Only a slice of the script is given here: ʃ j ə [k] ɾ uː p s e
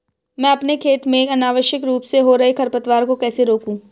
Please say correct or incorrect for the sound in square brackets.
correct